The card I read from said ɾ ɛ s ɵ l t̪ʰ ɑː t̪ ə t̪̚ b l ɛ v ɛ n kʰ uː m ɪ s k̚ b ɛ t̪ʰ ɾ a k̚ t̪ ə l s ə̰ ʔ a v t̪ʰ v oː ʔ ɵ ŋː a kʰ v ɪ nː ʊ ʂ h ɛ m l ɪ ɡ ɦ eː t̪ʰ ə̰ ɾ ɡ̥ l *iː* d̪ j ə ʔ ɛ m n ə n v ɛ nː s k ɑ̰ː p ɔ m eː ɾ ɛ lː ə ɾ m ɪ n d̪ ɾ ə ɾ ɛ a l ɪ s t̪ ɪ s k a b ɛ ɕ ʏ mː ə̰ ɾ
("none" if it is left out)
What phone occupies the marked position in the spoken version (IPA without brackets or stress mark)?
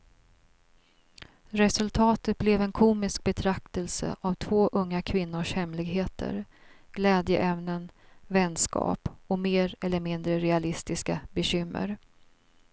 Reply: ɛː